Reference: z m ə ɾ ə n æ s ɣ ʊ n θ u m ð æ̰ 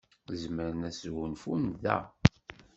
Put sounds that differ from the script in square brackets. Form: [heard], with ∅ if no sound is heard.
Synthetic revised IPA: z m ə ɾ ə n æ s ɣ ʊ n [f] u [n] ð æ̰